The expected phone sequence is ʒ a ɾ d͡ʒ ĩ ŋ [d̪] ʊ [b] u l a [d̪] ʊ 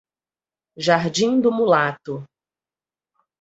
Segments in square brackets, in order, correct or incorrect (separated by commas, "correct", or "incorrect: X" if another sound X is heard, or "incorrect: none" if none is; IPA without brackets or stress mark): correct, incorrect: m, incorrect: t̪